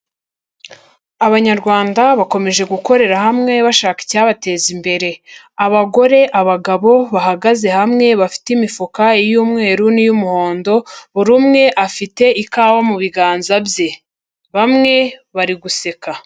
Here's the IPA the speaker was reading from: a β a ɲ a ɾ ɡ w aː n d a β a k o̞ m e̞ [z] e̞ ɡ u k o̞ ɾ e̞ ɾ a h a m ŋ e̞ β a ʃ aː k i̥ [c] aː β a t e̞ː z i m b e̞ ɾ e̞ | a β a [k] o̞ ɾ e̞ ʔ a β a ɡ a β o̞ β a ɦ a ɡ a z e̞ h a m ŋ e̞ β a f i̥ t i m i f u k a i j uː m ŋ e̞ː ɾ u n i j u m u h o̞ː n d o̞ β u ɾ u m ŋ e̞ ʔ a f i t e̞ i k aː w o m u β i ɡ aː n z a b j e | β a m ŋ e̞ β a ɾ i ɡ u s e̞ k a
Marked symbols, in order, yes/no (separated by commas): no, yes, no